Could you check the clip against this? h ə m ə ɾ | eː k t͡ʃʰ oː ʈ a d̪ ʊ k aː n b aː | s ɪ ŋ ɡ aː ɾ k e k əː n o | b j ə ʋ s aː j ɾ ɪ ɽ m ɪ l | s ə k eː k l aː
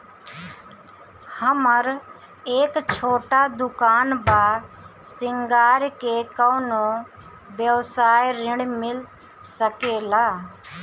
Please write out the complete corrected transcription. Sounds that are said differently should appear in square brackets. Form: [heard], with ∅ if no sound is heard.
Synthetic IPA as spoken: h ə m ə ɾ | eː k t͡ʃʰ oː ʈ a d̪ ʊ k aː n b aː | s ɪ ŋ ɡ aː ɾ k e k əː n o | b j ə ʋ s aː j ɾ ɪ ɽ m ɪ l | s ə k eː [∅] l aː